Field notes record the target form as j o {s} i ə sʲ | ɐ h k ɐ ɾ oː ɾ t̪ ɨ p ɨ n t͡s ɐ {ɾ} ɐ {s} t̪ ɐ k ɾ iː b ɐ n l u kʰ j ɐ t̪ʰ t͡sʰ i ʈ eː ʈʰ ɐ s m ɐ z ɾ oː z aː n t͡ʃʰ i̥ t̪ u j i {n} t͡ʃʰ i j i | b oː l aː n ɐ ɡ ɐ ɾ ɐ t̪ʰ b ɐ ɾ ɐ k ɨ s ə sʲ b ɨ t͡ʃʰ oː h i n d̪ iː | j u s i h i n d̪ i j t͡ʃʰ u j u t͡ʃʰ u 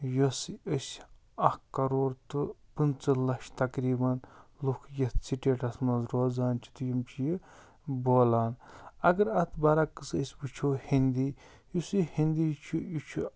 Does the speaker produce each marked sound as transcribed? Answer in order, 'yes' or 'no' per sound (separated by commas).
yes, no, no, no